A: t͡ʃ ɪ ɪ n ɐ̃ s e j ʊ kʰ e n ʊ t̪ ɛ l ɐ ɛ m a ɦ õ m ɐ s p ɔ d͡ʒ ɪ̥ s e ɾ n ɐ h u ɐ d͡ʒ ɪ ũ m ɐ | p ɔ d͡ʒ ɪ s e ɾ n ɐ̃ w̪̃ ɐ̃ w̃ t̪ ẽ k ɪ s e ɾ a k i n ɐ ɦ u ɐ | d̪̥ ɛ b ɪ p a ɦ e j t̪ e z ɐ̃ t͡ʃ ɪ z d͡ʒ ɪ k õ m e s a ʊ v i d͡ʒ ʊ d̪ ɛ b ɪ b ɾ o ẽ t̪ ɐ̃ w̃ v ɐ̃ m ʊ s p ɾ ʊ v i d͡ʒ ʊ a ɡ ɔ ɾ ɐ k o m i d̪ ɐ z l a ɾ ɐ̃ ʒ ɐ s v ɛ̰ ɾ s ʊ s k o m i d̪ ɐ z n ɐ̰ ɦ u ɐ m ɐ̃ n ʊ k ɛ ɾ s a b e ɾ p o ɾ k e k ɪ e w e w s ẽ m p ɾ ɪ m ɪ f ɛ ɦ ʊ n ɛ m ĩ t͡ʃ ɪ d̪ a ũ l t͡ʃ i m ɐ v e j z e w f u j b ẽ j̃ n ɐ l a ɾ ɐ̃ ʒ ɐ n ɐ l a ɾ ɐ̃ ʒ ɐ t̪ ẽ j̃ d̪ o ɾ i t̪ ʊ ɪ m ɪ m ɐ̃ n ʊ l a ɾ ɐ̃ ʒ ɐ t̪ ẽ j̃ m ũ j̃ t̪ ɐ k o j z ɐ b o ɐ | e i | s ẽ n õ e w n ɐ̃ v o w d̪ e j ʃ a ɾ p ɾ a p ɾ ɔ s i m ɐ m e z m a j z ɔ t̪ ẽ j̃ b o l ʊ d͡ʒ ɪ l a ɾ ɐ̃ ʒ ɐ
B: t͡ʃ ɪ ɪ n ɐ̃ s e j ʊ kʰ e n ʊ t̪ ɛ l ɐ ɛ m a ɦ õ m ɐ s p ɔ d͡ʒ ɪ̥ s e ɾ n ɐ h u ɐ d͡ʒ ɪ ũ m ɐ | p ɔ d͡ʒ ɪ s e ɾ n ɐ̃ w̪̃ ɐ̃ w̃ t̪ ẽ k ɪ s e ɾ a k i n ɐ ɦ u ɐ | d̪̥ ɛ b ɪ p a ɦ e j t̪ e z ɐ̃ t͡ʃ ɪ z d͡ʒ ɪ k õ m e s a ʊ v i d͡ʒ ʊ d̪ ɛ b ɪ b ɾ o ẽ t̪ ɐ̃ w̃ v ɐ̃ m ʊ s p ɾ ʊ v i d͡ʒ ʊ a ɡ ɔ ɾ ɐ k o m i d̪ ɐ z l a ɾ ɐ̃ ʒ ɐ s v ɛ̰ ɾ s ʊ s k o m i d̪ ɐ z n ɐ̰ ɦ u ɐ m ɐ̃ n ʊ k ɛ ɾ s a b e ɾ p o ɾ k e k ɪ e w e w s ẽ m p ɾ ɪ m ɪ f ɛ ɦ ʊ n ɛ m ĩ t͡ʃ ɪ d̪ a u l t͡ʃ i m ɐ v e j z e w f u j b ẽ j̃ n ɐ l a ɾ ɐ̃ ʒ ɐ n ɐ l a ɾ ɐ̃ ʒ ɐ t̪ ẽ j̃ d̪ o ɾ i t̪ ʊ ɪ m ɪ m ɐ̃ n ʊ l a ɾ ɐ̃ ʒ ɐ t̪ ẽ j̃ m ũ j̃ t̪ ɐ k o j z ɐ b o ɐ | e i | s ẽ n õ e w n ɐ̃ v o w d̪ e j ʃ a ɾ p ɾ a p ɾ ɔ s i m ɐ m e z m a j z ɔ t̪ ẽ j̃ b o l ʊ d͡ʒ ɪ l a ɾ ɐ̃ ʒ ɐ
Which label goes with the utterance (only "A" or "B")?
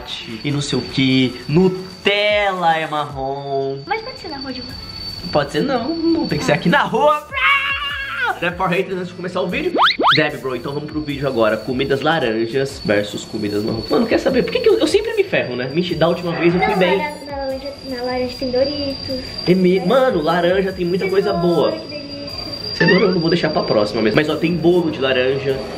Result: B